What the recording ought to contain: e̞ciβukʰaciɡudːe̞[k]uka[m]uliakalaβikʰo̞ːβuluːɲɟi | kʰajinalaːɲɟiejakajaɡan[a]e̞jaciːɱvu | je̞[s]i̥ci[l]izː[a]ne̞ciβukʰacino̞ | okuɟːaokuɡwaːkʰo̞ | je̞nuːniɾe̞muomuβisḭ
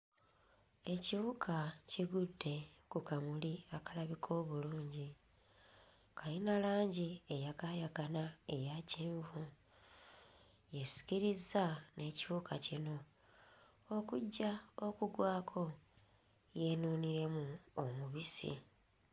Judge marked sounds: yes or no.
yes, yes, yes, yes, no, yes

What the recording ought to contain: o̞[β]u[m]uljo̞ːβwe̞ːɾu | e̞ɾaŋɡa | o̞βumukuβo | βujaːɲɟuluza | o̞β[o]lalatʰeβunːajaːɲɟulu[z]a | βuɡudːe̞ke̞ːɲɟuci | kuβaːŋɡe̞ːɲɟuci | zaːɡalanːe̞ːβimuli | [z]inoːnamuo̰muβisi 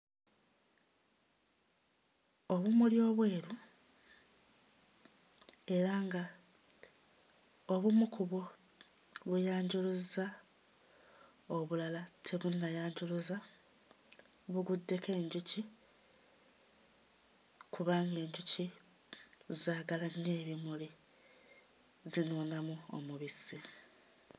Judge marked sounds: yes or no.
yes, yes, no, yes, yes

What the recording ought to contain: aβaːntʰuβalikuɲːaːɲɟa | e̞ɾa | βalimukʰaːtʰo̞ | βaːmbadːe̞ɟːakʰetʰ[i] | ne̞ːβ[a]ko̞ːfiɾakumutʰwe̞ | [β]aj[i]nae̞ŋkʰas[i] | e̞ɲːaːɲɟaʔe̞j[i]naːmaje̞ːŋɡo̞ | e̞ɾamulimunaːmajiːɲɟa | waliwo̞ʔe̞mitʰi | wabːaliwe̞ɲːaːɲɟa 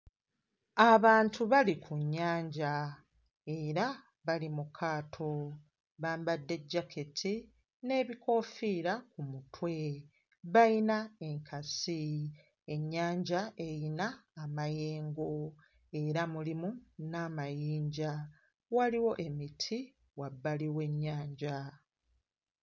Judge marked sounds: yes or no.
yes, no, yes, yes, yes, yes

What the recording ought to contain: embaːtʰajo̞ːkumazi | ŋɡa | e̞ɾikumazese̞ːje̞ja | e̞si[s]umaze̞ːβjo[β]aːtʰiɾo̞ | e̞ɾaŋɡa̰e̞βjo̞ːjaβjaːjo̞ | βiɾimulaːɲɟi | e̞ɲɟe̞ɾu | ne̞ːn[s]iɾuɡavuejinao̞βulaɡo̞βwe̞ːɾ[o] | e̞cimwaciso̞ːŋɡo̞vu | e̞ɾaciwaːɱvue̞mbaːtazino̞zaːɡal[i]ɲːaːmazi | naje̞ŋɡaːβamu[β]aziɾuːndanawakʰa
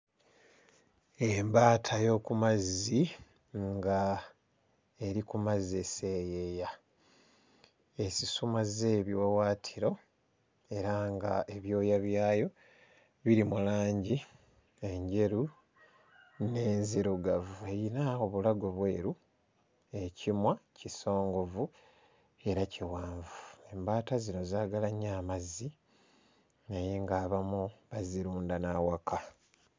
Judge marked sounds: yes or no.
yes, no, no, no, no, yes

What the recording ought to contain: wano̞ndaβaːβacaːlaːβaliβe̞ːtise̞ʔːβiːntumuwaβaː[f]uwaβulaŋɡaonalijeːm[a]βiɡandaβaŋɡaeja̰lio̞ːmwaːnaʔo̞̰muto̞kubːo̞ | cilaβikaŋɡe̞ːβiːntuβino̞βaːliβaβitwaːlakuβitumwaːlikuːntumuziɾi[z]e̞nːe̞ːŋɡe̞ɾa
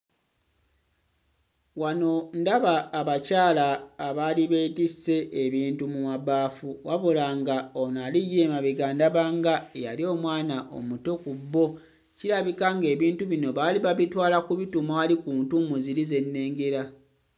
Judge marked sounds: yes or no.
yes, yes, yes

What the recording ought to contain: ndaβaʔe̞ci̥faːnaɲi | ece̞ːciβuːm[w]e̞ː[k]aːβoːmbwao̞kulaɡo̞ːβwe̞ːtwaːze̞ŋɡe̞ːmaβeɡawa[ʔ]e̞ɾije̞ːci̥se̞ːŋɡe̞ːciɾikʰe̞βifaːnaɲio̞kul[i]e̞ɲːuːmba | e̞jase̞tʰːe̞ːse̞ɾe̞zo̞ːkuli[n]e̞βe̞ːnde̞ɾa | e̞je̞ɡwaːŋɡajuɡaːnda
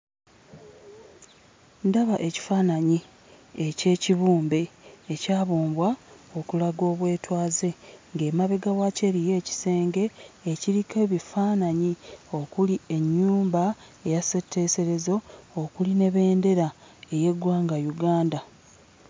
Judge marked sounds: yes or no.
no, no, no, yes, yes

